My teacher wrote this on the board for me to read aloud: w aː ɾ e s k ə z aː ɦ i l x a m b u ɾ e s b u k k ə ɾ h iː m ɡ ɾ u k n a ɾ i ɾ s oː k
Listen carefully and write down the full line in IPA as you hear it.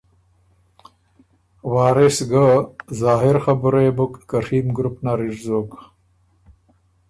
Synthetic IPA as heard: w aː ɾ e s ɡ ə z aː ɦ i ɾ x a b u ɾ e b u k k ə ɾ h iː m ɡ ɾ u p n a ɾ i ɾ z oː k